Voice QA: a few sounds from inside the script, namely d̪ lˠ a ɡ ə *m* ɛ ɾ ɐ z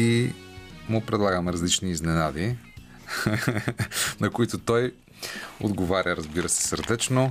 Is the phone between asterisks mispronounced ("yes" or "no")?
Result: no